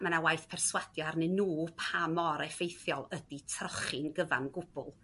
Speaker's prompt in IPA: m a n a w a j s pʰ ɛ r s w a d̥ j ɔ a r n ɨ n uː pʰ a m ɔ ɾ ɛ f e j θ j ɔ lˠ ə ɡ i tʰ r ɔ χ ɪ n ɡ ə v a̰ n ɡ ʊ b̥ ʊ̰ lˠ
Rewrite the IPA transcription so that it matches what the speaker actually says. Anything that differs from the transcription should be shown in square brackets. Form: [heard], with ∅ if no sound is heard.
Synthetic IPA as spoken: m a n a w a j [θ] pʰ ɛ r s w a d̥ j ɔ a r n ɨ n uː pʰ a m ɔ ɾ ɛ f e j θ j ɔ lˠ ə [d] i tʰ r ɔ χ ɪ n ɡ ə v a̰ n ɡ ʊ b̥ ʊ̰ lˠ